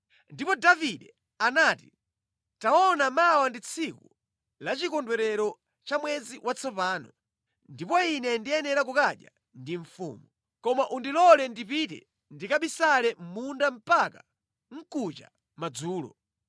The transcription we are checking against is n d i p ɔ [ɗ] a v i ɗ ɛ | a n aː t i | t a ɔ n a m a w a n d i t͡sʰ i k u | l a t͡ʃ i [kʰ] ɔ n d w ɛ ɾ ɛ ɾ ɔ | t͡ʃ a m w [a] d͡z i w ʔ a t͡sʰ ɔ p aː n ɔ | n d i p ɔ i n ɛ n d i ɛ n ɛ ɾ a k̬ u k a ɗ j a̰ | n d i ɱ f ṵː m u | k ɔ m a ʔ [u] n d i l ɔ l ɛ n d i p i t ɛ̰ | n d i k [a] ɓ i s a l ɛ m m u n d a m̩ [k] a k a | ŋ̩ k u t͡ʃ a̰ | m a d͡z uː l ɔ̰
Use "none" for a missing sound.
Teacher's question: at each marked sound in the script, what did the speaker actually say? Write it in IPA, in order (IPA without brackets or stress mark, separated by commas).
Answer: d, k, ɛ, u, a, p